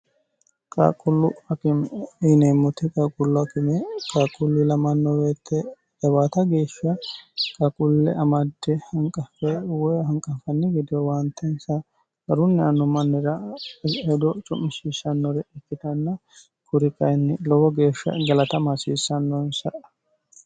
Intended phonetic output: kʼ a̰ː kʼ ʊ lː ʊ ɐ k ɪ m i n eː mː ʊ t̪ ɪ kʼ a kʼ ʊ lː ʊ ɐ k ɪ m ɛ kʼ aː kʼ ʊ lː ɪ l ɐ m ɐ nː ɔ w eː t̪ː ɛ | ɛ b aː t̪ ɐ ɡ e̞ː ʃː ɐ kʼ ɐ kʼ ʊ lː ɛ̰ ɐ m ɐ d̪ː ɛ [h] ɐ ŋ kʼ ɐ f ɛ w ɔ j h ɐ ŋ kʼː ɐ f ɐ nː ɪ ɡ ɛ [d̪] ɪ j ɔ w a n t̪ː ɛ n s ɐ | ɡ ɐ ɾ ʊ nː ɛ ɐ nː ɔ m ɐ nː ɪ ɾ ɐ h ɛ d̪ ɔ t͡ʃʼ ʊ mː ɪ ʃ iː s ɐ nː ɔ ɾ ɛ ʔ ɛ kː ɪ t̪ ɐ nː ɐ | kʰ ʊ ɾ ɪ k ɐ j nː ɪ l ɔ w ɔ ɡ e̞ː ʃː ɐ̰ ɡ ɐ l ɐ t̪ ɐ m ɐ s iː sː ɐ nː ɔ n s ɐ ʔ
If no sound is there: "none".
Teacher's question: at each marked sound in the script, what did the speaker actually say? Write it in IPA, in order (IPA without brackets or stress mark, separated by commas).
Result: h, d̪